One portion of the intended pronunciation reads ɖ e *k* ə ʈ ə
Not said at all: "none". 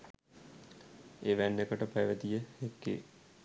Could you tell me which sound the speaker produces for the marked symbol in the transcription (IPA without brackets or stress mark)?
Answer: k